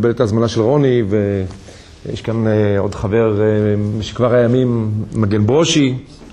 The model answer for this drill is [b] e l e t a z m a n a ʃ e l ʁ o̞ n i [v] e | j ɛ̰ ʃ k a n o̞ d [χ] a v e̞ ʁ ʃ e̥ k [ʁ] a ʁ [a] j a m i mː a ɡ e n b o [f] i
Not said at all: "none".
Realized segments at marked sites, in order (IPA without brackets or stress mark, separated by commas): b, v, χ, v, a, ʃ